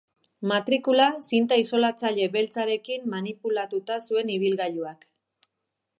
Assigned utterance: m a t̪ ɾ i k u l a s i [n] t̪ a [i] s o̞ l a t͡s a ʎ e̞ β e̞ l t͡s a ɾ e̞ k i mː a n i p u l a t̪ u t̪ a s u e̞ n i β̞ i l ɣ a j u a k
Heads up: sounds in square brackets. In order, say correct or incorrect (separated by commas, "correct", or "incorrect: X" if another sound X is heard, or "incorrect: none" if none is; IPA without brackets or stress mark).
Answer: correct, correct